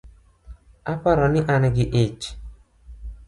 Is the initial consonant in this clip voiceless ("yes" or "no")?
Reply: yes